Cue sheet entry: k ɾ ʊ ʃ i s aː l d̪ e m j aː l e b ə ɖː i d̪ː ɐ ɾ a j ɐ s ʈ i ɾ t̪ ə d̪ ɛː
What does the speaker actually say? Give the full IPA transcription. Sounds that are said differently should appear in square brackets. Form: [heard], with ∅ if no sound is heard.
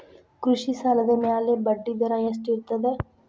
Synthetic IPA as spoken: k ɾ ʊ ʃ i s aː l d̪ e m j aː l e b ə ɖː i [d̪] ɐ ɾ a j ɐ s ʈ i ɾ t̪ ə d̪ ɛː